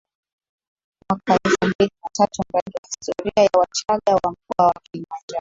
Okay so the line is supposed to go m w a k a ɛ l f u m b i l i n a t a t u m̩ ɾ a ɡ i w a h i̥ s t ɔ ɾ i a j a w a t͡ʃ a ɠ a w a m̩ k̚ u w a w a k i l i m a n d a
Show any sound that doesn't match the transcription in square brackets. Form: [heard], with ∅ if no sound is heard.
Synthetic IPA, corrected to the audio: m w a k a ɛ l f u m b i l i n a t a t u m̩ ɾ a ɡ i w a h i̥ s t ɔ ɾ i a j a w a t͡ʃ a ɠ a w a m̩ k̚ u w a w a k i l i m a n [d͡ʒ] a